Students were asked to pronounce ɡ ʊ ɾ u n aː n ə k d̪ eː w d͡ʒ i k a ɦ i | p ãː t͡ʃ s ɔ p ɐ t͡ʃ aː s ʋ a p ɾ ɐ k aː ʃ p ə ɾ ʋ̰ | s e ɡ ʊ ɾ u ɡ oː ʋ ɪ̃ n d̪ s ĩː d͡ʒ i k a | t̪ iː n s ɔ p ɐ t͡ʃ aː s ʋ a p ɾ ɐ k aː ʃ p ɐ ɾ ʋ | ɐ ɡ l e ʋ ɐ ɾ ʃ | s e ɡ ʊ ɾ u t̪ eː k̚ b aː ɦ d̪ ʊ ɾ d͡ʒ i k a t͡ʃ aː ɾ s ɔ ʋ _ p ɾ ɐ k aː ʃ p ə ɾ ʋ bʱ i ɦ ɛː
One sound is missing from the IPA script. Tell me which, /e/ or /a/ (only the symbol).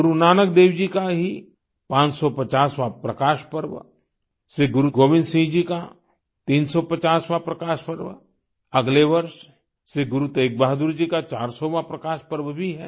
a